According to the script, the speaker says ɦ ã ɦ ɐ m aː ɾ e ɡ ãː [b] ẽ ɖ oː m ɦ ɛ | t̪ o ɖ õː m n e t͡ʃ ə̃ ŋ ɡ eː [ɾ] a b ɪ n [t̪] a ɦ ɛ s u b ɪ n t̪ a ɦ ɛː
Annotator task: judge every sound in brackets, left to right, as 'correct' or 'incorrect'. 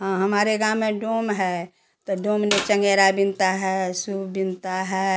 incorrect, correct, correct

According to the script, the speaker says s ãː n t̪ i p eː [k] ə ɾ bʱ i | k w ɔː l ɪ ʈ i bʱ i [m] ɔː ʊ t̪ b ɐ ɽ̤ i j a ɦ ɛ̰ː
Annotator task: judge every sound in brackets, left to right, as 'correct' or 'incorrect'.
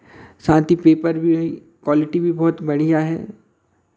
incorrect, incorrect

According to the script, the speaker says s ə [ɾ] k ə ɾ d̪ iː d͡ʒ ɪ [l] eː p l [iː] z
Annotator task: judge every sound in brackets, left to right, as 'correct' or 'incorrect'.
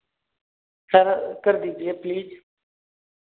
correct, incorrect, correct

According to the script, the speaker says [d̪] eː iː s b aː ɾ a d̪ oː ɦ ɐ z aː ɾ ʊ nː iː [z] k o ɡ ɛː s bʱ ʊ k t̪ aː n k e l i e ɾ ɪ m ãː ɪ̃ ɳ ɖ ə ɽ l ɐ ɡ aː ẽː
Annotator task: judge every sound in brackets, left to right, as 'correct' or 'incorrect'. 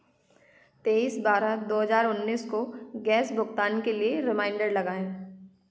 incorrect, incorrect

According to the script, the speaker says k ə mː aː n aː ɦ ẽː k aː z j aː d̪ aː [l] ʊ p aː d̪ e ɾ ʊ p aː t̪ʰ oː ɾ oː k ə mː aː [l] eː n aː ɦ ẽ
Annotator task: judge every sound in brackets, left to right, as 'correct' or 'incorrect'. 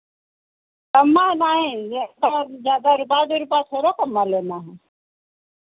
incorrect, correct

